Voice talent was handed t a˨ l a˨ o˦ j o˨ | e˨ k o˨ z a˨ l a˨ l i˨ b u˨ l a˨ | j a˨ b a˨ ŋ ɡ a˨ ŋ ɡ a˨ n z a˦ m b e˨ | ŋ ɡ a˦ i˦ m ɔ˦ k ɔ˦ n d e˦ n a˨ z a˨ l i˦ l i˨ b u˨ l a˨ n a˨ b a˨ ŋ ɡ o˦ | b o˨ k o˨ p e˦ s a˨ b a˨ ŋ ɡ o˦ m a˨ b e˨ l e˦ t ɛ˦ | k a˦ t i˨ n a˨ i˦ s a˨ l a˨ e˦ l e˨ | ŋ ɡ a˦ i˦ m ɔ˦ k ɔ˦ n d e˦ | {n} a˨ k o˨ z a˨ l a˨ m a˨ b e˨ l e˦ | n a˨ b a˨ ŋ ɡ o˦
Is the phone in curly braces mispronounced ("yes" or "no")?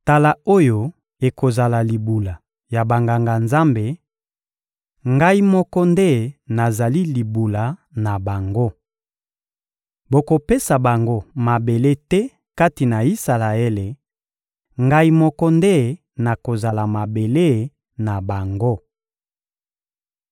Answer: no